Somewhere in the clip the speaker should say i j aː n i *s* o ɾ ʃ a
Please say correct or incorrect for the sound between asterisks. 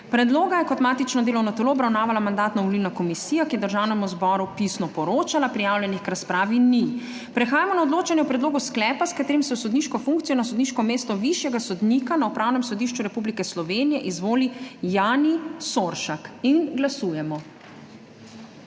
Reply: correct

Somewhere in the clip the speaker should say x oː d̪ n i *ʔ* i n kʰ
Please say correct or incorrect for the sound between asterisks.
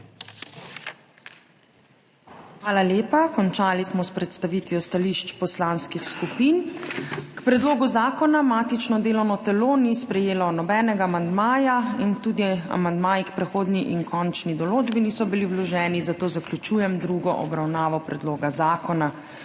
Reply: correct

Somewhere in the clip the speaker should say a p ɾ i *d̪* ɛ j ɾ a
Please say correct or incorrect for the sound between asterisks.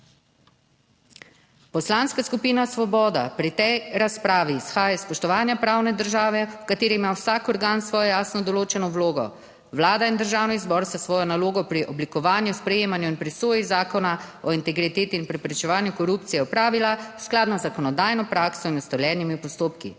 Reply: incorrect: t̪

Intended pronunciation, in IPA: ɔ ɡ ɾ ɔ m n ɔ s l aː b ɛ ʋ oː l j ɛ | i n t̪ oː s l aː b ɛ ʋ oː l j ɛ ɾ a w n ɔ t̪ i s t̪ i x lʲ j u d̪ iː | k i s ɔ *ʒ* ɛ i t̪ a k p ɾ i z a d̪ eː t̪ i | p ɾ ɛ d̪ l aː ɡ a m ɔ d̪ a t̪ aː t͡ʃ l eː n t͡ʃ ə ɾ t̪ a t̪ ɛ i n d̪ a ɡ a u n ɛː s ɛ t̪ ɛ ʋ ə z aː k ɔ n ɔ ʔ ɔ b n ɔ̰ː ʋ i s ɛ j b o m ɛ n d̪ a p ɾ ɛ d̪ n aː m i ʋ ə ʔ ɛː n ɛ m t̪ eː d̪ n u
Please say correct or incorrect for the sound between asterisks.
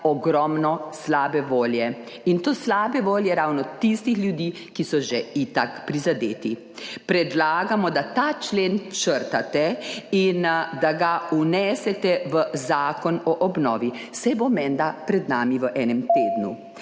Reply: correct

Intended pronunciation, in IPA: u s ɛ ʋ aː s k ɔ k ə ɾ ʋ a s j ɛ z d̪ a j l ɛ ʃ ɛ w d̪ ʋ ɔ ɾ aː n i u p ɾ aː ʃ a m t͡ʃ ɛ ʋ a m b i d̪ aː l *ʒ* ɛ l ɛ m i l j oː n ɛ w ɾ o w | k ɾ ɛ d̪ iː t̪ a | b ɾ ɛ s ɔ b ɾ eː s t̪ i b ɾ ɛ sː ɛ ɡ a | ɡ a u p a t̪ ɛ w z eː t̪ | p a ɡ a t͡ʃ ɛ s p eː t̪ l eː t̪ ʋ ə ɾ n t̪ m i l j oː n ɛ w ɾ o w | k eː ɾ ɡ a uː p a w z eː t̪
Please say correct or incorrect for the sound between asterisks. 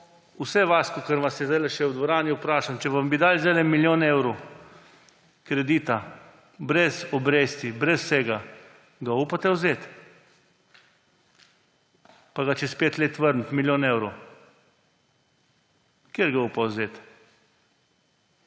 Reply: incorrect: z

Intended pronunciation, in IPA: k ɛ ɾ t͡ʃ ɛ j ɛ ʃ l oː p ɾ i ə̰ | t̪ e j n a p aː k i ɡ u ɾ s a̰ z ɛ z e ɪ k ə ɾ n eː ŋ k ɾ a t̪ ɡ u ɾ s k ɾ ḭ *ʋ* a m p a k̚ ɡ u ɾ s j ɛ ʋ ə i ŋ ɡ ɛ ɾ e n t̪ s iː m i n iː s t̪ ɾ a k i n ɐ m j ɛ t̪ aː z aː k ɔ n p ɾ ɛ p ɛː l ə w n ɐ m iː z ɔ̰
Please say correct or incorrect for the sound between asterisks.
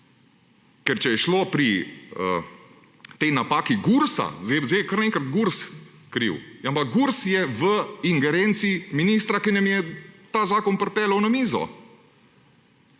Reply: incorrect: w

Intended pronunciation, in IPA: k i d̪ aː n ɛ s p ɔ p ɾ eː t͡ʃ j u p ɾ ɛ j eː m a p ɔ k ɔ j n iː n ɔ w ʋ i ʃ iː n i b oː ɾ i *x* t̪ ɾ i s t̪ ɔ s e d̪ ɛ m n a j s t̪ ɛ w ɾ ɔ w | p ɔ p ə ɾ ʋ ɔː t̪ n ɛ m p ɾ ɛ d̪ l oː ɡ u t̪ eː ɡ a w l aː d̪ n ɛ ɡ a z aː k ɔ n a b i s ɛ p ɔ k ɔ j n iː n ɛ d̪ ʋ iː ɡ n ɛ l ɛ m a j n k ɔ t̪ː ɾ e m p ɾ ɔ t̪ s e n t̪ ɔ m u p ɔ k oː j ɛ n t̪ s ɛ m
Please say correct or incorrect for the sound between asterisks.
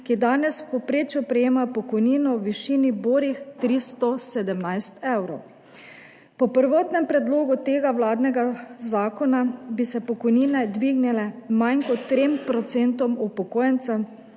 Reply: correct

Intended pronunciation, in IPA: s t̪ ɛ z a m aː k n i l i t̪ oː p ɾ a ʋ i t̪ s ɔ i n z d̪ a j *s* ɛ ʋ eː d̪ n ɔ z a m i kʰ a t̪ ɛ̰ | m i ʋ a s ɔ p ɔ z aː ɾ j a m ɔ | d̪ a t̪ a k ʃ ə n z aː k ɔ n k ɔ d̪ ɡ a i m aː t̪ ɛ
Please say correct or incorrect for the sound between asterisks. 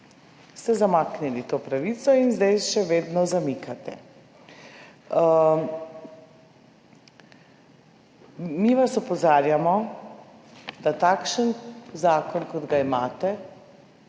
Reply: incorrect: ʃ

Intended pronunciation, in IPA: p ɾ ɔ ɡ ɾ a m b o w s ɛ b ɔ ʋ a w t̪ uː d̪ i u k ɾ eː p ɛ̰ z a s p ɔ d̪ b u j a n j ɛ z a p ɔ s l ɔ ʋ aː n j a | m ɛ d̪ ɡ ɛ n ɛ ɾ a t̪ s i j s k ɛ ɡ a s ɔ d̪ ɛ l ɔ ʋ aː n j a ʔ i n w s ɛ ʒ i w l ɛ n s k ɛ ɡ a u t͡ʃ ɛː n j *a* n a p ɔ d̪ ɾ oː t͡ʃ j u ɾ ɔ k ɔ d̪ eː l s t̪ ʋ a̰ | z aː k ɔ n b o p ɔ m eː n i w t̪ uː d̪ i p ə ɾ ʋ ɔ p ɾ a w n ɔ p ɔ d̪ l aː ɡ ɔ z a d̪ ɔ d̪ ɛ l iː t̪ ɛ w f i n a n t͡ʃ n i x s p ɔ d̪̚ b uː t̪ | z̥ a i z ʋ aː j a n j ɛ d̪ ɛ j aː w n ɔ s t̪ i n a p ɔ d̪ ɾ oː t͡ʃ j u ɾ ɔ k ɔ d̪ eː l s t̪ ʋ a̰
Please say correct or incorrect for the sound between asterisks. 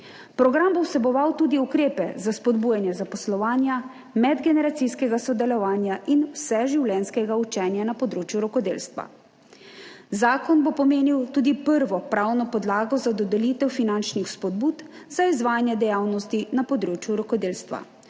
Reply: correct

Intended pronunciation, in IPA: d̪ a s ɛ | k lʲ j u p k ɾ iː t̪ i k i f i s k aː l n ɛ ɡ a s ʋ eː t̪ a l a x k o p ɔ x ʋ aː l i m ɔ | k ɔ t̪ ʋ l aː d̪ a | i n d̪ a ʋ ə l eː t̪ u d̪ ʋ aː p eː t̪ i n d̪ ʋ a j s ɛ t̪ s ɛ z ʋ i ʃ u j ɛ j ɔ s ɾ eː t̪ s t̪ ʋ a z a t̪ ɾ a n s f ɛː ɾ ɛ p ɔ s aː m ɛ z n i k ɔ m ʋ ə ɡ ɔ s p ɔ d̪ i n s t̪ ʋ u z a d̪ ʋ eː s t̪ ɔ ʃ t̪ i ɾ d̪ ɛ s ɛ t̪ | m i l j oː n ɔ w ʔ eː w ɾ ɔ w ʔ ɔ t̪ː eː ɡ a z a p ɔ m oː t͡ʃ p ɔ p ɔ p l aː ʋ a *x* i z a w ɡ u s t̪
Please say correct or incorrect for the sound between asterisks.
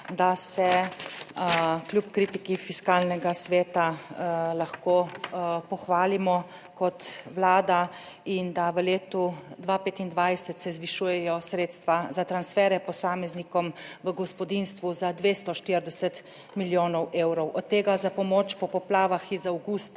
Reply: correct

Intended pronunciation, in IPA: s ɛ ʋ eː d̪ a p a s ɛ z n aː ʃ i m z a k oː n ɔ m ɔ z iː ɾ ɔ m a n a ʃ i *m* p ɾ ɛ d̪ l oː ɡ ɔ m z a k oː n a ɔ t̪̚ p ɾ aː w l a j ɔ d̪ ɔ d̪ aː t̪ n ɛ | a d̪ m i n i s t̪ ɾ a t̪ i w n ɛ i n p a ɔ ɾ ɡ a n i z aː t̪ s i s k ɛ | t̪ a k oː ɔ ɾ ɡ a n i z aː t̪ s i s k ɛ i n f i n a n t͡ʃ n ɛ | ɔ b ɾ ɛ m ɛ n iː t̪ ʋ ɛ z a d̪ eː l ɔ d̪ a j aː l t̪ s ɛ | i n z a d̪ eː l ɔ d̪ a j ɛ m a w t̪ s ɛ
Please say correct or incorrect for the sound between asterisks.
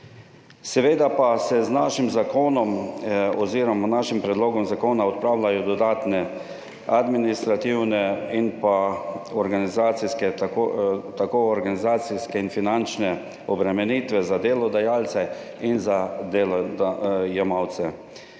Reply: correct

